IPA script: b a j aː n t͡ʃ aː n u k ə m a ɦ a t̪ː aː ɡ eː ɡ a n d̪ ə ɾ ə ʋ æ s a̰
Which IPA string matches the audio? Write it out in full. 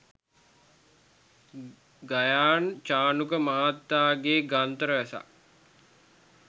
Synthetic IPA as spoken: ɡ a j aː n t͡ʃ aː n u k ə m a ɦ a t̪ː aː ɡ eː ɡ a n t̪ ə ɾ ə ʋ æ s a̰

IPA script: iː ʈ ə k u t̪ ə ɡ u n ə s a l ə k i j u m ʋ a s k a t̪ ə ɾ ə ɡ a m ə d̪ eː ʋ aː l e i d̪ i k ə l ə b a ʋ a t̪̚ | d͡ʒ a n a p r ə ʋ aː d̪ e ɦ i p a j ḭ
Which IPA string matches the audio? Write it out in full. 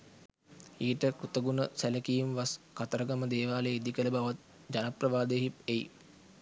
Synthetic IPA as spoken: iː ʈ ə k u t̪ ə ɡ u n ə s æ l ə k i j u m ʋ a s k a t̪ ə ɾ ə ɡ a m ə d̪ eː ʋ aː l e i d̪ i k ə l ə b a ʋ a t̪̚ | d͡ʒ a n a p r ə ʋ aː d̪ e ɦ i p e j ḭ

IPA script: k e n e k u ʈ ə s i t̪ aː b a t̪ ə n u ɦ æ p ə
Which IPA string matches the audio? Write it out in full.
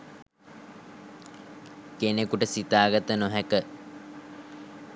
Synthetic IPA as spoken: k e n e k u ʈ ə s i t̪ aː ɡ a t̪ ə n o ɦ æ k ə

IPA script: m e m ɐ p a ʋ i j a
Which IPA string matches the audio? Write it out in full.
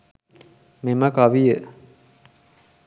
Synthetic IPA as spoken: m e m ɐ k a ʋ i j ə

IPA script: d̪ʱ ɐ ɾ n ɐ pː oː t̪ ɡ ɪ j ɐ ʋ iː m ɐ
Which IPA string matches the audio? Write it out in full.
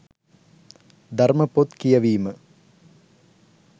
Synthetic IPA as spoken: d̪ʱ ɐ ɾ m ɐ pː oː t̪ k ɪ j ɐ ʋ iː m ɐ

